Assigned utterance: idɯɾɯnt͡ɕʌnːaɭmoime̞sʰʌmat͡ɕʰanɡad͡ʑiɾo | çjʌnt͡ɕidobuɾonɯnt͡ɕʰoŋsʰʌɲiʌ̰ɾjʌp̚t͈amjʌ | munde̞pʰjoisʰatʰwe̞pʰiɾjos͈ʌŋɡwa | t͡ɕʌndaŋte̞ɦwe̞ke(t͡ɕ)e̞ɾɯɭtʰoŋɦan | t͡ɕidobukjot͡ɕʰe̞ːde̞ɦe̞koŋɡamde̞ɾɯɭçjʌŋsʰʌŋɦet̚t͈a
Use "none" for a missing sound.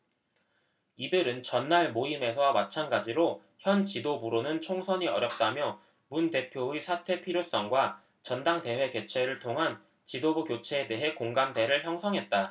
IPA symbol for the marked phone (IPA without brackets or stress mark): t͡ɕʰ